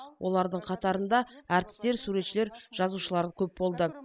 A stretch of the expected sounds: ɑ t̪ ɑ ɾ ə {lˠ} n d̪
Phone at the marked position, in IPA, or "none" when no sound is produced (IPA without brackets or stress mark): none